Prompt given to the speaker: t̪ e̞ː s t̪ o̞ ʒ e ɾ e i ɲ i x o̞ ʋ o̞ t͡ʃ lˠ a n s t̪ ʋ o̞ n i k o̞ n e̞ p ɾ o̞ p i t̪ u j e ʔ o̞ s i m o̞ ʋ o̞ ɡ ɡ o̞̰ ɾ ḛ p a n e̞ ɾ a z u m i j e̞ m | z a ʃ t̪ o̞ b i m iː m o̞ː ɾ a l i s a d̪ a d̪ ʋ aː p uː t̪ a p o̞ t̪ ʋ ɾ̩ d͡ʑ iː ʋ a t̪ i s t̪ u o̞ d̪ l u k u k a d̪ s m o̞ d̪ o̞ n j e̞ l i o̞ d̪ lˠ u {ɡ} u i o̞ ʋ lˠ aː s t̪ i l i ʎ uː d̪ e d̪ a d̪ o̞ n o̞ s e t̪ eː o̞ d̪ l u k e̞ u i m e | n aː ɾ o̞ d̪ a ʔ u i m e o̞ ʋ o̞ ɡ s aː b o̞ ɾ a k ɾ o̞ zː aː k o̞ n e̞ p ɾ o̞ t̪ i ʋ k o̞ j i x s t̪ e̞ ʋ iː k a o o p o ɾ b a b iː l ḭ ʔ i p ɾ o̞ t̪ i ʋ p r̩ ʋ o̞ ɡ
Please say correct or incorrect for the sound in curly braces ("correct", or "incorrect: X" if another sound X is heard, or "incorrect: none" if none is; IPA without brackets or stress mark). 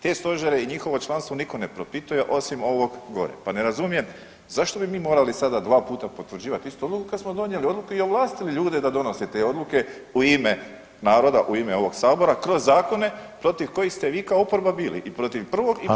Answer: incorrect: k